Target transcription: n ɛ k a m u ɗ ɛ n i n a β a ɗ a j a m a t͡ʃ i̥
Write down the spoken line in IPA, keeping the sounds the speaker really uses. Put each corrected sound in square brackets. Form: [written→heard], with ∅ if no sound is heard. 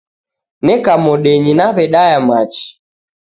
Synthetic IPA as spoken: n ɛ k a m [u→ɔ] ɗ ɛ [n→ɲ] i n a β [a→ɛ] ɗ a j a m a t͡ʃ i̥